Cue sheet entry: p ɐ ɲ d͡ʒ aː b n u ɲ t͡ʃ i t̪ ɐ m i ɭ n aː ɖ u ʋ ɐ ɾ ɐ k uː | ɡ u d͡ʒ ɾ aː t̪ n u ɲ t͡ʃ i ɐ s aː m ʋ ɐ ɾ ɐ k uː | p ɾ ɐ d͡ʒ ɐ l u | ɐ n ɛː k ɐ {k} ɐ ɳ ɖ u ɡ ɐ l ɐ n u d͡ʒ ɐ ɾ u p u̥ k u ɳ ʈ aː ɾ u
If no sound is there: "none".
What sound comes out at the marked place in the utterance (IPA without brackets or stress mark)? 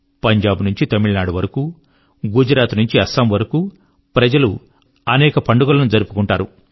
p